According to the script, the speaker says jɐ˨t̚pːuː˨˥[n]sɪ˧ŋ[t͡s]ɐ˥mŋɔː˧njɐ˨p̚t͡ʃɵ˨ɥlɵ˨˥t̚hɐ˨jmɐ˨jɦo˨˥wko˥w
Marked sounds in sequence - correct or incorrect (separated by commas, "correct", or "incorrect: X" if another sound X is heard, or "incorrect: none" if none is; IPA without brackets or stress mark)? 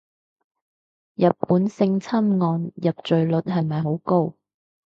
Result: correct, incorrect: t͡sʰ